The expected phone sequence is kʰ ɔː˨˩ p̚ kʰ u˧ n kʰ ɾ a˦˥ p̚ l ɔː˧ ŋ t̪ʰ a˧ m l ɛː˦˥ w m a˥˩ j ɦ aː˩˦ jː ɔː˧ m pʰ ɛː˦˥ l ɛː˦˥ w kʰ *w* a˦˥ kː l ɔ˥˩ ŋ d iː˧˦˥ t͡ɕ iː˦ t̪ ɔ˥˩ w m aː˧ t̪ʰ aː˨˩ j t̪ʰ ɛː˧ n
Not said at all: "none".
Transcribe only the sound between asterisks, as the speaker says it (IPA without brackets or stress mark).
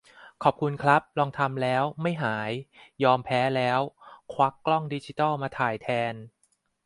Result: w